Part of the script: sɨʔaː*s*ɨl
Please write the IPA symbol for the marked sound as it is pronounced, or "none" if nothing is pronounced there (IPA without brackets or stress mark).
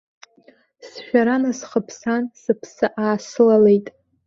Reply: s